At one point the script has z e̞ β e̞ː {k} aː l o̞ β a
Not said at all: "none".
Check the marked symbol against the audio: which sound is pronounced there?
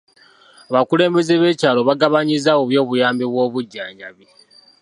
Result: c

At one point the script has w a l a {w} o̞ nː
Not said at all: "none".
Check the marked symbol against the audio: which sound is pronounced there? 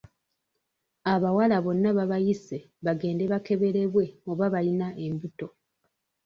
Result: β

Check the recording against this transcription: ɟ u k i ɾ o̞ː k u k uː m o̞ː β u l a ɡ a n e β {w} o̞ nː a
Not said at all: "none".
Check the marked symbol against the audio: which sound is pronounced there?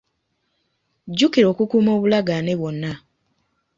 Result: w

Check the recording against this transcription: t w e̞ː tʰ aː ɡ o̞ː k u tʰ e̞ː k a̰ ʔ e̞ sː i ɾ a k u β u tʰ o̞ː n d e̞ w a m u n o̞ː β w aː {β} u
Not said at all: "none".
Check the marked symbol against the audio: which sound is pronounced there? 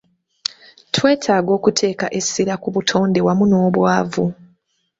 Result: v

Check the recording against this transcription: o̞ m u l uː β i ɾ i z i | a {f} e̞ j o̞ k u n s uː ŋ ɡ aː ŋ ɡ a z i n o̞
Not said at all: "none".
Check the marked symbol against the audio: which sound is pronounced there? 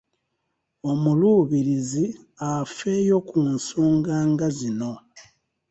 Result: f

